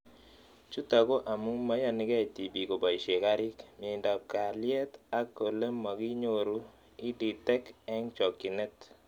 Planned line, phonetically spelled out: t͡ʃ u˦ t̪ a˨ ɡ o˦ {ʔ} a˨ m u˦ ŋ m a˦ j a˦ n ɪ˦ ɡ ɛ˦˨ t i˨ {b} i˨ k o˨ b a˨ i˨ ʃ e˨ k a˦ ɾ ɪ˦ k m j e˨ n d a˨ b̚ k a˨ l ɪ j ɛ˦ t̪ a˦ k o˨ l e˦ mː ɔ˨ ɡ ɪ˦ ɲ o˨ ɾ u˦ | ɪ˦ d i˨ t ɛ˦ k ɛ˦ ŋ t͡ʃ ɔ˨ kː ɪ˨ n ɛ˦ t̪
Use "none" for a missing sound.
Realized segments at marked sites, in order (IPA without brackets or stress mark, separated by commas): ʔ, b